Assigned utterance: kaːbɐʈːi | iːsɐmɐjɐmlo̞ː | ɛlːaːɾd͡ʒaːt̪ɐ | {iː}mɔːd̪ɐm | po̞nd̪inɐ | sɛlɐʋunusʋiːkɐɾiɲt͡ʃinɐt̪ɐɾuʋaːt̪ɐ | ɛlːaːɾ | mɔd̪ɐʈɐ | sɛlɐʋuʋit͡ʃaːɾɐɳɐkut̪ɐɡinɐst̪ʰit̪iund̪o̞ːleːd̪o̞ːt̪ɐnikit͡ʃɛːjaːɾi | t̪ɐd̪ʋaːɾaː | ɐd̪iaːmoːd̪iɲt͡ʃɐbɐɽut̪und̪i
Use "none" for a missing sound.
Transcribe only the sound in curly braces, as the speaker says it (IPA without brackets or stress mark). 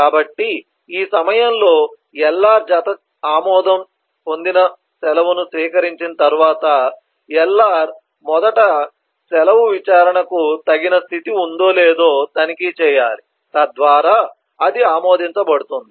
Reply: aː